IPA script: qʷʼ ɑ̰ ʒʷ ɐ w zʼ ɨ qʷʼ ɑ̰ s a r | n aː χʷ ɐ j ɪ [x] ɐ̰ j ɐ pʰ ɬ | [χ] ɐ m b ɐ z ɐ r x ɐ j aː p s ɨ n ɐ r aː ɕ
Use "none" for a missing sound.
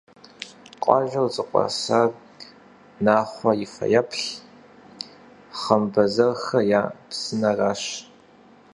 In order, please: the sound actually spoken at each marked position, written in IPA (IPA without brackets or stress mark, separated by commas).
f, χ